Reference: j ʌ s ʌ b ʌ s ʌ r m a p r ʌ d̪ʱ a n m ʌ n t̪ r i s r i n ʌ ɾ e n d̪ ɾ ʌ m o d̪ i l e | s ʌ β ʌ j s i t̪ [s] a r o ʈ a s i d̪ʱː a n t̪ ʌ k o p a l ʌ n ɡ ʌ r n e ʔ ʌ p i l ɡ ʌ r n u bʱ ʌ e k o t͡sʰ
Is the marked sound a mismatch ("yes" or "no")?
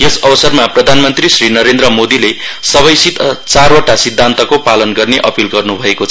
yes